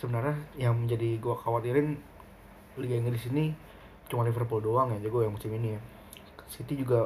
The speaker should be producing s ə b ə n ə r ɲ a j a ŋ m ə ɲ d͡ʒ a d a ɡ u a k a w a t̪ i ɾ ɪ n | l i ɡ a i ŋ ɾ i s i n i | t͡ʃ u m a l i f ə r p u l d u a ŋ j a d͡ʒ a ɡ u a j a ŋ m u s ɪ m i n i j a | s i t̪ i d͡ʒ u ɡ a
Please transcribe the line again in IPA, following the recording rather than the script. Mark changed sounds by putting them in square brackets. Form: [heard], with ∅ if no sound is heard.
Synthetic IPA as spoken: s ə b ə n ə r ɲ a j a ŋ m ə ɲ d͡ʒ a d [i] ɡ u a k a w a t̪ i ɾ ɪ n | l i ɡ a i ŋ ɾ i s i n i | t͡ʃ u m a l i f ə r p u l d [o] a ŋ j a d͡ʒ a ɡ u a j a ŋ m u s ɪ m i n i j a | s i t̪ i d͡ʒ u ɡ a